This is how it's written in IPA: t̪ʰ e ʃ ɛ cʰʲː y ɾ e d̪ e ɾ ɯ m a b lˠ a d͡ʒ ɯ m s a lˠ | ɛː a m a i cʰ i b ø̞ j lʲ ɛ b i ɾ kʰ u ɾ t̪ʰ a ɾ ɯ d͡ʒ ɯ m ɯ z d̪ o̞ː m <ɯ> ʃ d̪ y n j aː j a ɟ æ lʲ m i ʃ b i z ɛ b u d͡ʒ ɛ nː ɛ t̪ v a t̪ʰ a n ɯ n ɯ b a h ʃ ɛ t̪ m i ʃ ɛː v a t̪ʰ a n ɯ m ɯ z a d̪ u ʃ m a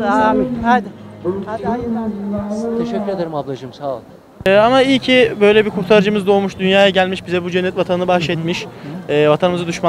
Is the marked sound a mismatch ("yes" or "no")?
yes